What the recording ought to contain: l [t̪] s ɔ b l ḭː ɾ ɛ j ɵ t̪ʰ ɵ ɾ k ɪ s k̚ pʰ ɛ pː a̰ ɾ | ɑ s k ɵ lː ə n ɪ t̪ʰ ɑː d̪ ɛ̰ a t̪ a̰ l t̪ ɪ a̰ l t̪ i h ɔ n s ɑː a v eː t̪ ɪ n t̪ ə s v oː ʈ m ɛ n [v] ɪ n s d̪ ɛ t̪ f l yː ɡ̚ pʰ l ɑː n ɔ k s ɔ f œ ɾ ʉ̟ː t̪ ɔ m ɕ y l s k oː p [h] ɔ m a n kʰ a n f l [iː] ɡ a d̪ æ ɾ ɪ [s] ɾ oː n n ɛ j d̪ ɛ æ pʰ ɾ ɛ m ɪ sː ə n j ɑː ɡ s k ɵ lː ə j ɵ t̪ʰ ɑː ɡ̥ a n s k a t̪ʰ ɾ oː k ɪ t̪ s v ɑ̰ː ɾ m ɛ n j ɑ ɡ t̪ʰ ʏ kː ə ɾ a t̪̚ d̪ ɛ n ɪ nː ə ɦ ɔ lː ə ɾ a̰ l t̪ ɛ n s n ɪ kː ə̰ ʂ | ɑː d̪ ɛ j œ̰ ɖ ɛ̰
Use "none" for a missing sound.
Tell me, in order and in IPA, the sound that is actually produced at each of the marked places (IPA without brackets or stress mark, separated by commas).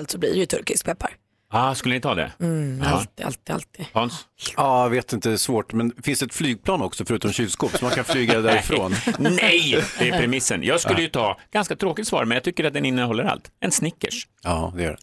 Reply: t̪, f, s, yː, f